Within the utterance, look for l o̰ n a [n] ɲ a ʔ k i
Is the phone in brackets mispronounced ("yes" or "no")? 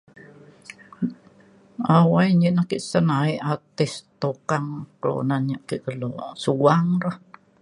no